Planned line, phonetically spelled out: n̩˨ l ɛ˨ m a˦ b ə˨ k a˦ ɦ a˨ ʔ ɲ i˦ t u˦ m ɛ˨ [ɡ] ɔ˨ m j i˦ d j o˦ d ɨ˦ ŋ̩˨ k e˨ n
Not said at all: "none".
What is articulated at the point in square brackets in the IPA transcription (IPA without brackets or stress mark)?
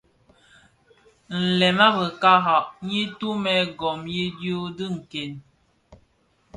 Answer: ɡ